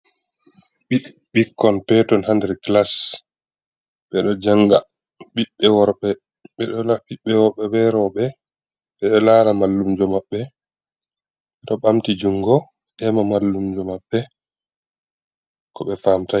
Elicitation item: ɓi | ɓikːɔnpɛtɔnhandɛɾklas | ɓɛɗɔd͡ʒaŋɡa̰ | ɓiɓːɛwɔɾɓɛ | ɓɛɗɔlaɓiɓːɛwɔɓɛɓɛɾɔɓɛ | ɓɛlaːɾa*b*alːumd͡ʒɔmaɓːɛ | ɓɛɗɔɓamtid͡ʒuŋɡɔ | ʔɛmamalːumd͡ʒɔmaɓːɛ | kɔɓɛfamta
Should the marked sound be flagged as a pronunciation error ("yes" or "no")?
yes